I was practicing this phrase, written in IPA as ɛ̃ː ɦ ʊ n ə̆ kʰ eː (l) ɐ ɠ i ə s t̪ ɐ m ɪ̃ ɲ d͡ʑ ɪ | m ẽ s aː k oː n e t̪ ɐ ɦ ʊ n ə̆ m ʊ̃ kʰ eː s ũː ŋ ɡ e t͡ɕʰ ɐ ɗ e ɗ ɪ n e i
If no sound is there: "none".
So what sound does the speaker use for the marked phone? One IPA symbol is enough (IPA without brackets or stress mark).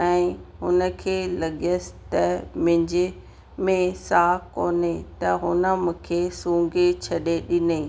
l